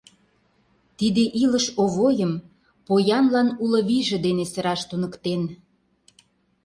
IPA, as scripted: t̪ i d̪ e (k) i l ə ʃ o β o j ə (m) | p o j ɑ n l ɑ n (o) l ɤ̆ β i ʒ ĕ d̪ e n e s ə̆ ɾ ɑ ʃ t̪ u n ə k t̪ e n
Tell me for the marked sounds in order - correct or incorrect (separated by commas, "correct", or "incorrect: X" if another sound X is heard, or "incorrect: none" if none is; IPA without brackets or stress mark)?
incorrect: ʔ, correct, incorrect: u